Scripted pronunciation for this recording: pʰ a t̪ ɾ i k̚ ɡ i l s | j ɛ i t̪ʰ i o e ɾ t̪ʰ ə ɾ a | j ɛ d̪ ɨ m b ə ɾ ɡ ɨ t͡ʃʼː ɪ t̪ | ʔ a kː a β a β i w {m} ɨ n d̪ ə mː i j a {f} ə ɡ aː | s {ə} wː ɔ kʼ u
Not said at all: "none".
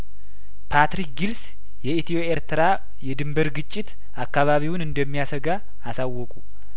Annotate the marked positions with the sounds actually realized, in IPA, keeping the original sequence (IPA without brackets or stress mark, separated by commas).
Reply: n, s, a